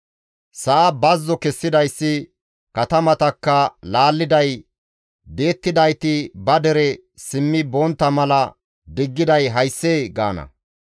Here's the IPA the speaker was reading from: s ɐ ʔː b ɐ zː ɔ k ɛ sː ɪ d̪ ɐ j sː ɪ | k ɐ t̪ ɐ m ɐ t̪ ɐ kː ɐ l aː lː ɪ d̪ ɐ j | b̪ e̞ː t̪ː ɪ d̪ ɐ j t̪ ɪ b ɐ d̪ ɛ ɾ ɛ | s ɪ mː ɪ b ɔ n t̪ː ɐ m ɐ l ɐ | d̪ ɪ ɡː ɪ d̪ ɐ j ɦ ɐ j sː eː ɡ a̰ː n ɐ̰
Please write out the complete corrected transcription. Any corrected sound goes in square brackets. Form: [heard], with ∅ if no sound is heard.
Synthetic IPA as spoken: s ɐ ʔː b ɐ zː ɔ k ɛ sː ɪ d̪ ɐ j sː ɪ | k ɐ t̪ ɐ m ɐ t̪ ɐ kː ɐ l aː lː ɪ d̪ ɐ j | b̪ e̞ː t̪ː ɪ d̪ ɐ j t̪ ɪ b ɐ d̪ ɛ ɾ ɛ | s ɪ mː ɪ b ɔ n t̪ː ɐ m ɐ l ɐ | d̪ ɪ ɡː ɪ d̪ ɐ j ɦ ɐ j sː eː ɡ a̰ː n ɐ̰